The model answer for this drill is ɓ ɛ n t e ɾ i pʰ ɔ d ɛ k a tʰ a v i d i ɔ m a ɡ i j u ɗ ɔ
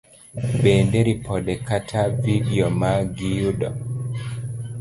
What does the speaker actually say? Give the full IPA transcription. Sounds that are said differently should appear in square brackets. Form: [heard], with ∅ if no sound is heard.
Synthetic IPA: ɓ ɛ n [d] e ɾ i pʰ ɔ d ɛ k a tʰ a v i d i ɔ m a ɡ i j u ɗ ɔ